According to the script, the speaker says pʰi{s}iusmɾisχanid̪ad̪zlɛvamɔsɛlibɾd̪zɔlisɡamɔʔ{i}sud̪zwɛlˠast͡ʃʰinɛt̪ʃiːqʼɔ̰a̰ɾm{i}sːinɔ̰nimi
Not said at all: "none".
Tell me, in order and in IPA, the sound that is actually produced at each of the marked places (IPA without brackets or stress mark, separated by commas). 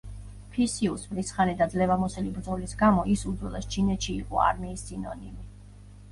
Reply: s, i, iː